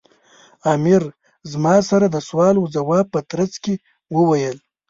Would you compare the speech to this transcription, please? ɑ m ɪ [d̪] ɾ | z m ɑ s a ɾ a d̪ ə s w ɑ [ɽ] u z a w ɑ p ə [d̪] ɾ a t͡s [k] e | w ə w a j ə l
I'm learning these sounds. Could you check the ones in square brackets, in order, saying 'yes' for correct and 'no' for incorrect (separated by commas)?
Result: no, no, no, yes